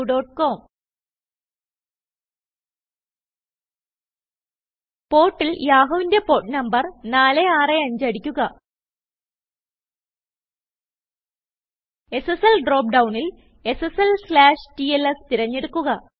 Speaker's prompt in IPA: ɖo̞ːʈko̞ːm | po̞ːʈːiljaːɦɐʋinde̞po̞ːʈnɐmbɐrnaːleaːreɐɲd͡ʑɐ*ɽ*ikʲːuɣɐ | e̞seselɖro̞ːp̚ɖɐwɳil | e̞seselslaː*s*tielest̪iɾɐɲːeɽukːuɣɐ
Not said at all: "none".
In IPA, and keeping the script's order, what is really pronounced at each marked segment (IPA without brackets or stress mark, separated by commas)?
ɽ, ʂ